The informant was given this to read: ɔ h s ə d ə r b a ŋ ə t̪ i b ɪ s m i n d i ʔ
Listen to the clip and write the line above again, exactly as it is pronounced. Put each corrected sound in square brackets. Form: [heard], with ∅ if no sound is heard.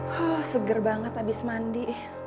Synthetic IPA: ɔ h s ə [ɡ] ə r b a ŋ ə t̪ [a] b ɪ s m [a] n d i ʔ